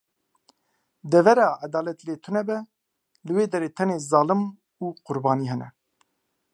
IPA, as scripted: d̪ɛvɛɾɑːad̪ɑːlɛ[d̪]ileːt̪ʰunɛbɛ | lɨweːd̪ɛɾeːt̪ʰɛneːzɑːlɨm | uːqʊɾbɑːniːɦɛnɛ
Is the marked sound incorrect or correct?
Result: incorrect